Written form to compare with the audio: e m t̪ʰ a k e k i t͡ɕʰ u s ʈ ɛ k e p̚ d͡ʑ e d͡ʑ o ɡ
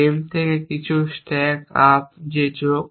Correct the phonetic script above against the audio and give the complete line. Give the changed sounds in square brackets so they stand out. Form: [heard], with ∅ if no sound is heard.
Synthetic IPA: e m t̪ʰ [e] k e k i t͡ɕʰ u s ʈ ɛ k [a] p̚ d͡ʑ e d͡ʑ o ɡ

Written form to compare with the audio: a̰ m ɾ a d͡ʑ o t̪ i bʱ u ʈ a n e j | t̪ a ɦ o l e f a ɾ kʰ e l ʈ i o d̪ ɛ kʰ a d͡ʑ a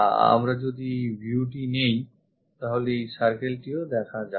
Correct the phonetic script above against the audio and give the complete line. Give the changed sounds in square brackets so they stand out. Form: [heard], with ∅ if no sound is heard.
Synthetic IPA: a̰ m ɾ a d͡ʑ o [d̪] i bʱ u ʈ [i] n e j | t̪ a ɦ o l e [s] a ɾ [k] e l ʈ i o d̪ ɛ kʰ a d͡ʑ a

